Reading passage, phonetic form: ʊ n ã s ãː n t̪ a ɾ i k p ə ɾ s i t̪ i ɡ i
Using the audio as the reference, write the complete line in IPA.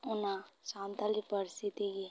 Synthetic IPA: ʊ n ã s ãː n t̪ a l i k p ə ɾ s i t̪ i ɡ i